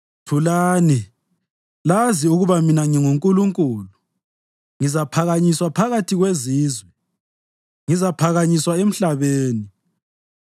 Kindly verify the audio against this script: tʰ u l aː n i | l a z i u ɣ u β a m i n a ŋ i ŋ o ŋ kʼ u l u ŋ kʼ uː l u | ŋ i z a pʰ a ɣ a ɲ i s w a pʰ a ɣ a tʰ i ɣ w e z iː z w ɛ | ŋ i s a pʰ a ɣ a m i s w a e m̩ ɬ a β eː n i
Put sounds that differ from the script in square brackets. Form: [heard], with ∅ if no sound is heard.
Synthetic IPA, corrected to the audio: tʰ u l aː n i | l a z i u ɣ u β a m i n a ŋ i ŋ [u] ŋ kʼ u l u ŋ kʼ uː l u | ŋ i z a pʰ a ɣ a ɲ i s w a pʰ a ɣ a tʰ i ɣ w e z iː z w ɛ | ŋ i [z] a pʰ a ɣ a [ɲ] i s w a e m̩ ɬ a β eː n i